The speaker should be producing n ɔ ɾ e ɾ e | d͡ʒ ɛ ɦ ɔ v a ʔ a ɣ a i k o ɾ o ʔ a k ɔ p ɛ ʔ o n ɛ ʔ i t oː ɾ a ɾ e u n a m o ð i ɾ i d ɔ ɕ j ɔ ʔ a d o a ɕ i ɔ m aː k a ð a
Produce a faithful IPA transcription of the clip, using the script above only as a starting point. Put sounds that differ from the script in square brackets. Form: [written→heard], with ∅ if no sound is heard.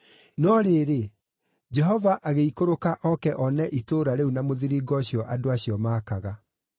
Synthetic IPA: n ɔ ɾ e ɾ e | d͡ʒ ɛ ɦ ɔ v a ʔ a ɣ [a→e] i k o ɾ o [ʔ→k] a [k→ʔ] ɔ [p→k] ɛ ʔ [o→ɔ] n ɛ ʔ i t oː ɾ a ɾ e u n a m o ð i ɾ i [d→ɡ] ɔ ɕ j ɔ ʔ a d o a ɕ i ɔ m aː k a [ð→ɣ] a

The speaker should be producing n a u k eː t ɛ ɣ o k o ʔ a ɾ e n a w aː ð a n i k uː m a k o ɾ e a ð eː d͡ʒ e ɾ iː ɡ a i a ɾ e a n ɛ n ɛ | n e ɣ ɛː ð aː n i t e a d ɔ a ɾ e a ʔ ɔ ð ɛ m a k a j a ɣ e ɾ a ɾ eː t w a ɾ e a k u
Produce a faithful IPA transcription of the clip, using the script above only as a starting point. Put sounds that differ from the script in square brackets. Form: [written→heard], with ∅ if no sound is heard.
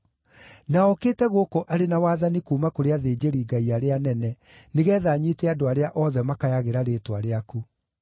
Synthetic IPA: n a [u→ɔ] k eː t ɛ ɣ o k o ʔ a ɾ e n a w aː ð a n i k uː m a k o ɾ e a ð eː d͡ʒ e ɾ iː ɡ a i a ɾ e a n ɛ n ɛ | n e ɣ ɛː ð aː [n→ɲ] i t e a d [ɔ→o] a ɾ e a ʔ ɔ ð ɛ m a k a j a ɣ e ɾ a ɾ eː t w a ɾ e a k u

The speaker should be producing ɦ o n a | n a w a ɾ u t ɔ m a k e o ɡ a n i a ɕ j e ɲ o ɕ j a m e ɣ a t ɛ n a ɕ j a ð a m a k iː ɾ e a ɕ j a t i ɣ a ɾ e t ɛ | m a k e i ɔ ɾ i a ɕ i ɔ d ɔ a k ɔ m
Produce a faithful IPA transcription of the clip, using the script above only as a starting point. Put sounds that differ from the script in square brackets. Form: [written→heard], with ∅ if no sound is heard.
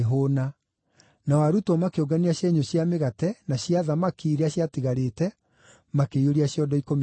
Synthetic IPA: ɦ o n a | n a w a ɾ u t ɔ m a k e o ɡ a n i a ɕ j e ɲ o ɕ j a m e ɣ a t ɛ n a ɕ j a ð a m a k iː ɾ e a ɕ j a t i ɣ a ɾ e t ɛ | m a k e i [ɔ→o] ɾ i a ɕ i ɔ d ɔ [a→i] k [ɔ→o] m

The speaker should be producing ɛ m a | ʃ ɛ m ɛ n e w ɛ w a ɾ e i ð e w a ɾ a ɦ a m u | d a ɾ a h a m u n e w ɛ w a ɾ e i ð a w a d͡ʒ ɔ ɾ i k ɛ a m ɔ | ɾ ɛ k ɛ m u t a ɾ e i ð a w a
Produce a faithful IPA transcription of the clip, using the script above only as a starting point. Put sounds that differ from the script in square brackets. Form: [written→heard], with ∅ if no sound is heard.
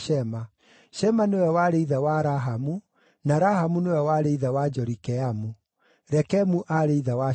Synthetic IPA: ɛ m a | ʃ ɛ m [ɛ→a] n e w ɛ w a ɾ e i ð [e→a] w a ɾ a ɦ a m u | [d→n] a ɾ a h a m u n e w ɛ w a ɾ e i ð a w a d͡ʒ ɔ ɾ i k ɛ a m [ɔ→u] | ɾ ɛ k ɛ m u [t→ʔ] a ɾ e i ð a w a

